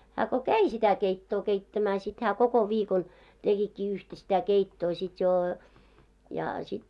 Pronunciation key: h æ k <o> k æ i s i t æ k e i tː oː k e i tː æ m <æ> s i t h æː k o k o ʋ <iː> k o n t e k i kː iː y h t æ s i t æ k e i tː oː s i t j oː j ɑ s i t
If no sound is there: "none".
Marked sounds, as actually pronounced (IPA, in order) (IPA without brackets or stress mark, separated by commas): o, æː, iː